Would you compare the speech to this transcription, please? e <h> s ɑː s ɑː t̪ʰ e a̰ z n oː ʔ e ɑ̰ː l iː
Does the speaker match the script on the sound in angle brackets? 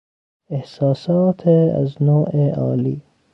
yes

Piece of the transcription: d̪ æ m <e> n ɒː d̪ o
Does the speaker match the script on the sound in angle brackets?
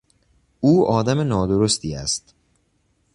yes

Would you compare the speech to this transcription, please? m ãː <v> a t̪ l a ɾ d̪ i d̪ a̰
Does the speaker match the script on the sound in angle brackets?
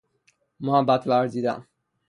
no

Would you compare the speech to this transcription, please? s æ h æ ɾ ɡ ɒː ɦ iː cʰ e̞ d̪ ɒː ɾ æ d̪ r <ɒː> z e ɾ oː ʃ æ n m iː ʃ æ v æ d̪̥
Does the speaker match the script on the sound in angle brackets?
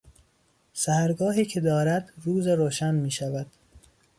no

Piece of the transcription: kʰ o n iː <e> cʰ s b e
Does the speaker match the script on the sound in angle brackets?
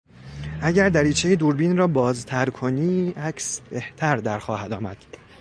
no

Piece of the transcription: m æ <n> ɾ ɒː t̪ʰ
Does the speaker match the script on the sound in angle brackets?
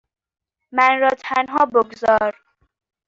yes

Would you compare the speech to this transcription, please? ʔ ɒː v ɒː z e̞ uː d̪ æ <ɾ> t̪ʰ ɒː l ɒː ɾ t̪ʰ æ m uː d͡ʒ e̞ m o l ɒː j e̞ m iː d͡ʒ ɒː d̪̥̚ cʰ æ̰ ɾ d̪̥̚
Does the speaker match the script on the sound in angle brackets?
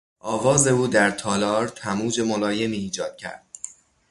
yes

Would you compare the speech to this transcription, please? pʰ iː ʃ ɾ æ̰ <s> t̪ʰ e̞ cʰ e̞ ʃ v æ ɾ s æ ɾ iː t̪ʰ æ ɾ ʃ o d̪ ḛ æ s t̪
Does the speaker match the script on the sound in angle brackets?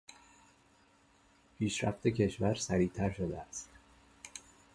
no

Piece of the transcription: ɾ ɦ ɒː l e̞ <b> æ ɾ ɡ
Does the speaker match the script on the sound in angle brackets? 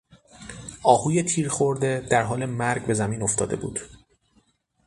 no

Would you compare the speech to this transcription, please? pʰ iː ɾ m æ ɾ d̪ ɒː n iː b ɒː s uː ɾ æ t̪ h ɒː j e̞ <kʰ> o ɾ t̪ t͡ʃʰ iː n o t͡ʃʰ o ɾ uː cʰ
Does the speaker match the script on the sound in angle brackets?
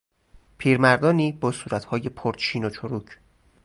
no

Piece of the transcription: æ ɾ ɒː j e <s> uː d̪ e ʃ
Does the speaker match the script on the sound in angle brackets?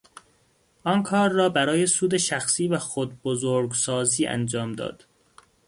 yes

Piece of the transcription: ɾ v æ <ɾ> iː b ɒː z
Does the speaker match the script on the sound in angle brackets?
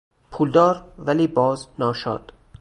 no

